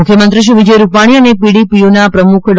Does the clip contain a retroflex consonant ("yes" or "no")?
yes